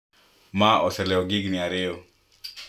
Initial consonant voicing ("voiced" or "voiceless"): voiced